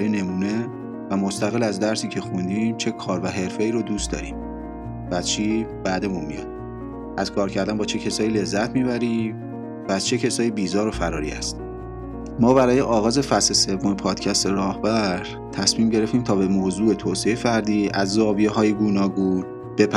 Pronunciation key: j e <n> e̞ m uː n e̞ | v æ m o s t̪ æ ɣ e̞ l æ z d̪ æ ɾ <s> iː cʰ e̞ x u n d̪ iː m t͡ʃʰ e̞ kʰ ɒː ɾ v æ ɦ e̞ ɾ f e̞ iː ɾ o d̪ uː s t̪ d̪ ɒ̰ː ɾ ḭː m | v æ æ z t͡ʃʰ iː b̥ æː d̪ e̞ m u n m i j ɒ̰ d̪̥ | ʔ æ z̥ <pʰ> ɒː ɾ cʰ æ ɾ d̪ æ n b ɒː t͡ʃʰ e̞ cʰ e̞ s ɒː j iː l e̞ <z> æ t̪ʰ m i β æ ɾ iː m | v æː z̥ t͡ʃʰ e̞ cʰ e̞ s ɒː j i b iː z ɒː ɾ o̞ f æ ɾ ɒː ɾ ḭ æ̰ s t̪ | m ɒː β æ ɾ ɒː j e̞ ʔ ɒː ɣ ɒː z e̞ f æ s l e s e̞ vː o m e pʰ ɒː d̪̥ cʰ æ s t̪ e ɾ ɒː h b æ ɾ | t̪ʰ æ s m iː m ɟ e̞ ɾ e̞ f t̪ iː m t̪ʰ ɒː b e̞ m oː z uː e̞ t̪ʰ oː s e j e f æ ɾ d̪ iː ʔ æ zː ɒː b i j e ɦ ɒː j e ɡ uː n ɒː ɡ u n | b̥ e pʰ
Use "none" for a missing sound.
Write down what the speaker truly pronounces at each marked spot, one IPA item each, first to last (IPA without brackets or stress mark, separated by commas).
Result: n, s, kʰ, zː